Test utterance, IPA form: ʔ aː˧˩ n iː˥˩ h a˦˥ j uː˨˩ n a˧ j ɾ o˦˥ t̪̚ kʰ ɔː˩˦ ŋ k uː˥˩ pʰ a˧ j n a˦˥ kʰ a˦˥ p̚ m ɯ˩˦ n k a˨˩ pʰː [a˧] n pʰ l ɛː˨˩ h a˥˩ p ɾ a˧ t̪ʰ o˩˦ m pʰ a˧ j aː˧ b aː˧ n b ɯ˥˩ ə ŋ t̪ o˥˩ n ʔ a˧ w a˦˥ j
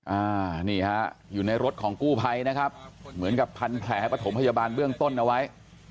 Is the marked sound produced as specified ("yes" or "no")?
yes